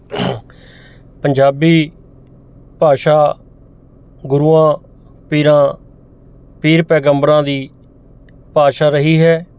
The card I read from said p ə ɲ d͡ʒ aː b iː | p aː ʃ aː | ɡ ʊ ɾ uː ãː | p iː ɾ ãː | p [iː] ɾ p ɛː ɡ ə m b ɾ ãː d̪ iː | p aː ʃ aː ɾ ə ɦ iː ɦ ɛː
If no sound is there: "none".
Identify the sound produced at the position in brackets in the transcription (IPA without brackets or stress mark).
iː